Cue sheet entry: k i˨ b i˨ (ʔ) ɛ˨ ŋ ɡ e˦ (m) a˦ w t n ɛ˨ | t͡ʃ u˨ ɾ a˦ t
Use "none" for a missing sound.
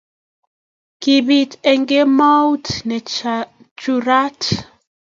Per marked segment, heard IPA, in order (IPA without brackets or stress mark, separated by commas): t, m